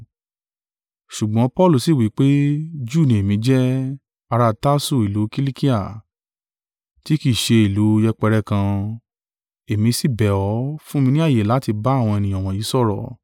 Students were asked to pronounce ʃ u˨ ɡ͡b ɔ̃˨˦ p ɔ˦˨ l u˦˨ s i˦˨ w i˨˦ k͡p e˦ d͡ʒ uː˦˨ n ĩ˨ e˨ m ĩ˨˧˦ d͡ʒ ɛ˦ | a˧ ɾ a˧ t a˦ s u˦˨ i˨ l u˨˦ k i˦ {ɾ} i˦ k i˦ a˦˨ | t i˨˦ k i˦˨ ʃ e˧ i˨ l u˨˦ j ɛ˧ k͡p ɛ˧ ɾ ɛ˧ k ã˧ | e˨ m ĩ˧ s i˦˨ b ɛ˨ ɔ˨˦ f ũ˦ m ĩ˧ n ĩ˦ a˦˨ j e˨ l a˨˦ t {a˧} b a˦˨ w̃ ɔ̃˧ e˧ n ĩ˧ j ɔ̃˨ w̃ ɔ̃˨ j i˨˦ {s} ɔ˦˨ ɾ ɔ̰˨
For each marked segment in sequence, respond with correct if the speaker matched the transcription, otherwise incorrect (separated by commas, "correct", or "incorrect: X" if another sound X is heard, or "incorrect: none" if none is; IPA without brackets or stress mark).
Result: incorrect: l, incorrect: i˧, correct